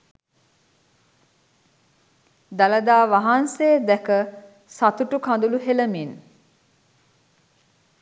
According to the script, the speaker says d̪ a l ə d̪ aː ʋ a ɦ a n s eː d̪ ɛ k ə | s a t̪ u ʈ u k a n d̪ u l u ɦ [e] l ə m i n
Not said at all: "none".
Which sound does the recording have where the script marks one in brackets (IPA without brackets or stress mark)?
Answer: e